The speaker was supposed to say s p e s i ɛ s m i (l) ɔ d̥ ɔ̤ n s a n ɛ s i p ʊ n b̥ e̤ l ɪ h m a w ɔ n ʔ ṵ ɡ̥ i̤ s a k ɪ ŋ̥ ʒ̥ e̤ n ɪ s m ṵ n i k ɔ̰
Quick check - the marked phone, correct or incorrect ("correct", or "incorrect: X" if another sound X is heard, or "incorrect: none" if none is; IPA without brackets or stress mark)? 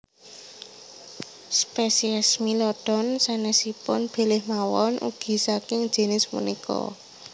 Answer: correct